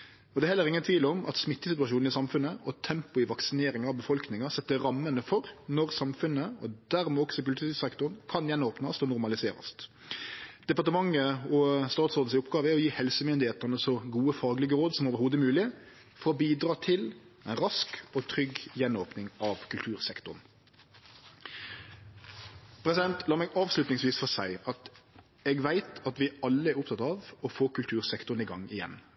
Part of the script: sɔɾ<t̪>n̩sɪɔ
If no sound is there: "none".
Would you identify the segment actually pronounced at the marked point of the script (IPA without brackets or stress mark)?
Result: d̪